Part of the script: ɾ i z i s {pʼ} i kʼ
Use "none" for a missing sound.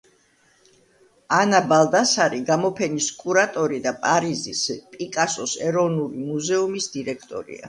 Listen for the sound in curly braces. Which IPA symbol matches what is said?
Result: pʼ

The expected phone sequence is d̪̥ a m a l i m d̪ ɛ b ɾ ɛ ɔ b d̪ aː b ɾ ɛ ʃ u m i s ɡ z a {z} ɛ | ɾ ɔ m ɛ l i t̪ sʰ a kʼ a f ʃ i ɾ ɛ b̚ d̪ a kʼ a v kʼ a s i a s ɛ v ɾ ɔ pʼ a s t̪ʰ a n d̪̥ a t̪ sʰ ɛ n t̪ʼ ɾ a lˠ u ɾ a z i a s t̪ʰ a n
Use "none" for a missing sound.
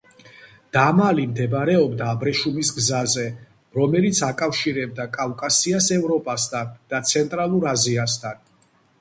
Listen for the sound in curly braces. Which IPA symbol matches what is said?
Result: z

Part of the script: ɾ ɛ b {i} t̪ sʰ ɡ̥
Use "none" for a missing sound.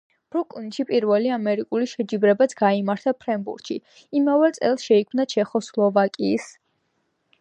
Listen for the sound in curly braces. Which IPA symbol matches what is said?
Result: a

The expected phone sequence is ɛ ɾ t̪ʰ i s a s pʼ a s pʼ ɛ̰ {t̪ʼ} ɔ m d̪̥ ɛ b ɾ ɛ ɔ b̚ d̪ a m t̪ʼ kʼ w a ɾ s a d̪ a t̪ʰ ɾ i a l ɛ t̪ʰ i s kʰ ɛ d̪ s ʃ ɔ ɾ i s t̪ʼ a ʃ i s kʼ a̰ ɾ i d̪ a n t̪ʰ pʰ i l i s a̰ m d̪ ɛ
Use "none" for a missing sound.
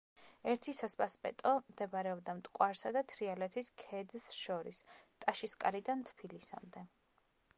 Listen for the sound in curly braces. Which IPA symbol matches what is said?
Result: t̪ʼ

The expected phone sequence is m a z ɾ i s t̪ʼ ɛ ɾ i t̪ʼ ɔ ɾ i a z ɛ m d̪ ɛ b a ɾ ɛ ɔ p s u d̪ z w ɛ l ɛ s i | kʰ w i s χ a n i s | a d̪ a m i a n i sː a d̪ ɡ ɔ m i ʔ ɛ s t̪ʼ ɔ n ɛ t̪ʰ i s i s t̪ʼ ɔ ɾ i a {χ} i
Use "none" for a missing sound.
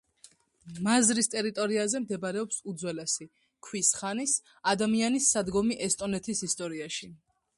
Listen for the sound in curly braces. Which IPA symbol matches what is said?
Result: ʃ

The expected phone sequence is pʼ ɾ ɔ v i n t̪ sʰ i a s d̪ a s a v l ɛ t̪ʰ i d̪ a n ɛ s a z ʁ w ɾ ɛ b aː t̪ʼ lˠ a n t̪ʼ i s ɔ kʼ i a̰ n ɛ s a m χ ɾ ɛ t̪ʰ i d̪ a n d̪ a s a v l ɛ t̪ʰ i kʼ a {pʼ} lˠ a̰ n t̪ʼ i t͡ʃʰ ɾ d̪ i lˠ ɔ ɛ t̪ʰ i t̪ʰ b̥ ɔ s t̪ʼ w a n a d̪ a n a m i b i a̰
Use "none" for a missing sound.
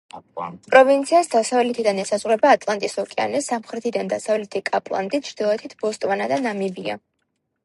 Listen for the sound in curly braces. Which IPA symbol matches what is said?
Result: pʼ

